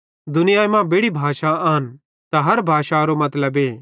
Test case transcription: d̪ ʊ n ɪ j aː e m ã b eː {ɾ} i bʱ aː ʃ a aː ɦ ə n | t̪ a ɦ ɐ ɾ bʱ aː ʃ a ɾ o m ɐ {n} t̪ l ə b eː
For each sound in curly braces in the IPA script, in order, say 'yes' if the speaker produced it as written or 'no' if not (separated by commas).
no, no